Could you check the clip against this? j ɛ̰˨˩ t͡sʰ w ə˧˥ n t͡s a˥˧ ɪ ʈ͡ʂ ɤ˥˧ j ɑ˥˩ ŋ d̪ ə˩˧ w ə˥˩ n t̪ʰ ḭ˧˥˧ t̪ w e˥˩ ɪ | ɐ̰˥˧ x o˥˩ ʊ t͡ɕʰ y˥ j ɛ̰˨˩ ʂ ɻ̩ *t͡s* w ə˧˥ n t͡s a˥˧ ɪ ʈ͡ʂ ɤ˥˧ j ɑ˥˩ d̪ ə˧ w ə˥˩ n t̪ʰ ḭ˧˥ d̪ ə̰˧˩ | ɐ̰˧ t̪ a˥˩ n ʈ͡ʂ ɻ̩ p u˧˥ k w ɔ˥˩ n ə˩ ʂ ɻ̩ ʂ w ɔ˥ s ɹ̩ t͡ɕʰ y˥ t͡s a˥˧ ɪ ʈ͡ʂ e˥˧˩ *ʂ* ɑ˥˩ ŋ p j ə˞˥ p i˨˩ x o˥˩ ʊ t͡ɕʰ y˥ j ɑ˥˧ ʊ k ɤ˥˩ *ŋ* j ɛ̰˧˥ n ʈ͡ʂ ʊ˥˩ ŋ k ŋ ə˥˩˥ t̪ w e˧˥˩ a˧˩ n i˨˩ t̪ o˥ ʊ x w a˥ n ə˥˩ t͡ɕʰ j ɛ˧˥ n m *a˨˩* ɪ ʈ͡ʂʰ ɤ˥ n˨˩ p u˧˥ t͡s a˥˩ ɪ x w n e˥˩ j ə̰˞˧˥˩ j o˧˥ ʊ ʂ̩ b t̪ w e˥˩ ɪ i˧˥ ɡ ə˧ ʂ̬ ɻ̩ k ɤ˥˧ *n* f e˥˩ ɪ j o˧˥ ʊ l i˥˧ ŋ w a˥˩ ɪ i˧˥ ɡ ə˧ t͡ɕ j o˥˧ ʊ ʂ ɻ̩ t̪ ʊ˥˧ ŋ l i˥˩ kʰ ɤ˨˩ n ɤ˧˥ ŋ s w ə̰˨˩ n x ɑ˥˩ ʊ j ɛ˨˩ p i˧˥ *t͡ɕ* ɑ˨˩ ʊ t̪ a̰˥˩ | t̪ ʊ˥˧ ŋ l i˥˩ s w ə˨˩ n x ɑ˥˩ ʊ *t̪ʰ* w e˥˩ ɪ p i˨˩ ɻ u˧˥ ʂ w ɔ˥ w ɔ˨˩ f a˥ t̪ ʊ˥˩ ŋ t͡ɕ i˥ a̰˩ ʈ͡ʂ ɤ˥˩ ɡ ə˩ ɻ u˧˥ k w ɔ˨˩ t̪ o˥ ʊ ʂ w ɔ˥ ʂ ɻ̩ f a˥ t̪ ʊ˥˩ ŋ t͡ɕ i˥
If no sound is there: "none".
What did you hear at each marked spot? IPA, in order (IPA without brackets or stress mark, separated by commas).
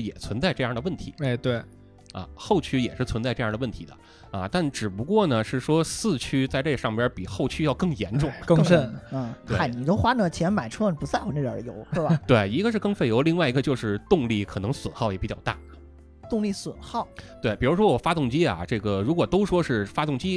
t͡sʰ, ʂ, ŋ, a˨˩, ŋ, t͡ɕ, t̪